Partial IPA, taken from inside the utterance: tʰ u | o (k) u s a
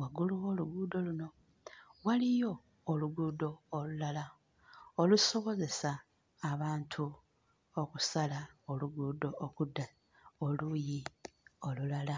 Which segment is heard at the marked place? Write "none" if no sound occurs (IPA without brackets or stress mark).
k